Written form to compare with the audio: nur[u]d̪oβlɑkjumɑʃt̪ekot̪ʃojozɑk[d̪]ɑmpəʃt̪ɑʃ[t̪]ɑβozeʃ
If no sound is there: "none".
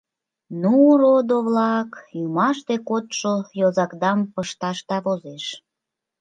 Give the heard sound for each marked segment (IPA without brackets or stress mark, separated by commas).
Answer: o, d̪, t̪